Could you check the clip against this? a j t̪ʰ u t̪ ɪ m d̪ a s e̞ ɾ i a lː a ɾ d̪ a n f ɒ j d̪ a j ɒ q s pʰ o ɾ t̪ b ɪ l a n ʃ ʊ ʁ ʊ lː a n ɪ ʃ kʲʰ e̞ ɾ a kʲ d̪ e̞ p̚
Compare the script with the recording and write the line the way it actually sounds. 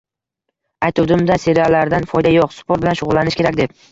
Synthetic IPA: a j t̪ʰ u d̪ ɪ m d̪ a s e̞ ɾ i a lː a ɾ d̪ a n f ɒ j d̪ a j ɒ q s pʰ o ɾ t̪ b ɪ l a n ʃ ʊ ʁ ʊ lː a n ɪ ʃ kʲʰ e̞ ɾ a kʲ d̪ e̞ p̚